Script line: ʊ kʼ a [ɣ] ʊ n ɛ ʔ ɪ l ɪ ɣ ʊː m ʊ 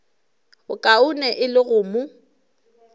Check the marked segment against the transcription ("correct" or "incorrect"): incorrect